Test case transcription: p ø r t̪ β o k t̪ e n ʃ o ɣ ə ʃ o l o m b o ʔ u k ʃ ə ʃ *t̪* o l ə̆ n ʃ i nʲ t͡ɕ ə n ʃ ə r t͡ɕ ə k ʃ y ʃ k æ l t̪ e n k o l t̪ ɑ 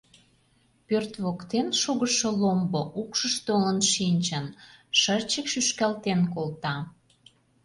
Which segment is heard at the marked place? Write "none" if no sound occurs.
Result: t̪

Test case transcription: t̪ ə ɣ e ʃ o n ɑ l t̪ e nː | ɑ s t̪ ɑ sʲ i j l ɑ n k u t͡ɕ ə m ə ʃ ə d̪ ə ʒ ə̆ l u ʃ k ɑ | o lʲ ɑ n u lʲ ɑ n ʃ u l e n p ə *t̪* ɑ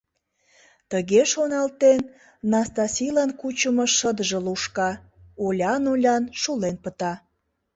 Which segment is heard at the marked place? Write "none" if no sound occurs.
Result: t̪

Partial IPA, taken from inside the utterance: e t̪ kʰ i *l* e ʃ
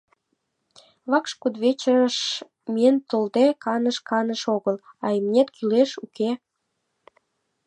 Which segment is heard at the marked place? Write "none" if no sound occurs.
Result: l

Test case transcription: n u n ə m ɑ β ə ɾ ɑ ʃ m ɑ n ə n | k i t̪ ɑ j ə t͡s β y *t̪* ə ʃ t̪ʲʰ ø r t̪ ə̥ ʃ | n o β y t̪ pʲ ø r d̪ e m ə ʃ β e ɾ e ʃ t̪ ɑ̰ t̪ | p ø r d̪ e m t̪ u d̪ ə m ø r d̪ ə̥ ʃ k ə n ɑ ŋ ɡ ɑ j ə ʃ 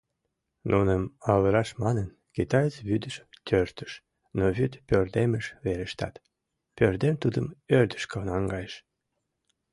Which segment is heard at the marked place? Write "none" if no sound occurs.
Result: d̪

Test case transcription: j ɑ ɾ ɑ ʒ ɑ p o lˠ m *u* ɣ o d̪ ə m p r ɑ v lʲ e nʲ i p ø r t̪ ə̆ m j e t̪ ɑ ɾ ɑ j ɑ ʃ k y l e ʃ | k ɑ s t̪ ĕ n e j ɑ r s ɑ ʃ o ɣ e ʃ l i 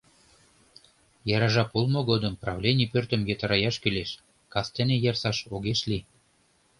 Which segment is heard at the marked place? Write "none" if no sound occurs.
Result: o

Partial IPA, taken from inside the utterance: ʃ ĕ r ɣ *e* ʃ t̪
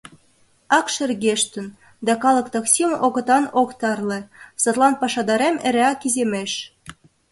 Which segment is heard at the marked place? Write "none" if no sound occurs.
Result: e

